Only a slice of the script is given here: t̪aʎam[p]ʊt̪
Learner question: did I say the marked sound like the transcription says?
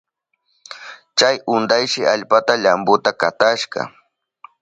no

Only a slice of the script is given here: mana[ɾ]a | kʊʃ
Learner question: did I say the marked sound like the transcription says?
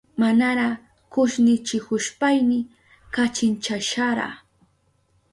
yes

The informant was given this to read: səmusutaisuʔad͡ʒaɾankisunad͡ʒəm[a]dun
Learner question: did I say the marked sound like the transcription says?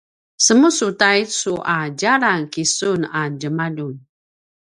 yes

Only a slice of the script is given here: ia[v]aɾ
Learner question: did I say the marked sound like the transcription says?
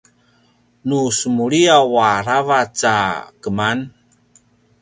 no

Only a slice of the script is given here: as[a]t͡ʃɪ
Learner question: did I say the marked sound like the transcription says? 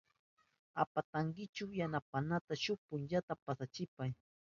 yes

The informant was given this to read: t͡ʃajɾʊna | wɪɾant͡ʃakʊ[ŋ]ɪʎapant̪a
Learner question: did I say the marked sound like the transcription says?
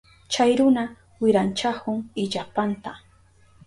yes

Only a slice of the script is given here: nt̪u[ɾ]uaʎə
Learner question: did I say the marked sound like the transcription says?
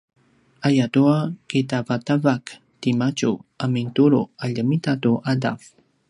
yes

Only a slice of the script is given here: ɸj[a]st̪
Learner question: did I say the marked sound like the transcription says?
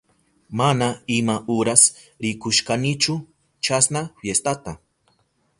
no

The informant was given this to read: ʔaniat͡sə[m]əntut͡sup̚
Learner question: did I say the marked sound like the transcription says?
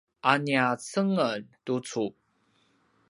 no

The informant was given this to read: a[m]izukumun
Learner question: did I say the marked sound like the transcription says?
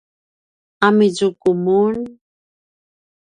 yes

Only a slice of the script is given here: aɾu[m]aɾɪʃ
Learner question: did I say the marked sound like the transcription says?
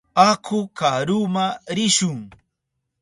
yes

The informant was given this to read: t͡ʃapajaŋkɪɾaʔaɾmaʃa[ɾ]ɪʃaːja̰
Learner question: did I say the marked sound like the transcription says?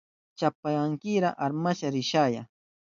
yes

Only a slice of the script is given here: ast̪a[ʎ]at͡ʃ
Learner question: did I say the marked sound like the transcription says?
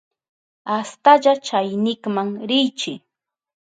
yes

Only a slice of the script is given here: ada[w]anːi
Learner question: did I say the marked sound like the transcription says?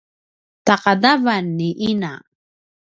no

